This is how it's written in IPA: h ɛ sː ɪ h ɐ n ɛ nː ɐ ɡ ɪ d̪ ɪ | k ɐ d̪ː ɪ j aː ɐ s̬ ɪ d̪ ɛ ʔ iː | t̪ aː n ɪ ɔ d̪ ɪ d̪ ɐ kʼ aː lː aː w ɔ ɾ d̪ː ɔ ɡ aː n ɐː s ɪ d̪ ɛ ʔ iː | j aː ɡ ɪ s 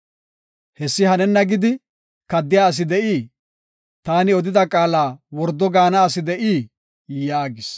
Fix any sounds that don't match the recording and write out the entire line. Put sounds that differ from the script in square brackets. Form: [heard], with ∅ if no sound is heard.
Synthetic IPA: h ɛ sː ɪ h ɐ n ɛ nː ɐ ɡ ɪ d̪ ɪ | k ɐ d̪ː ɪ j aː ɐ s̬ ɪ d̪ ɛ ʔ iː | t̪ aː n ɪ ɔ d̪ ɪ d̪ ɐ kʼ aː [l] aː w ɔ ɾ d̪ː ɔ ɡ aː n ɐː s ɪ d̪ ɛ ʔ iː | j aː ɡ ɪ s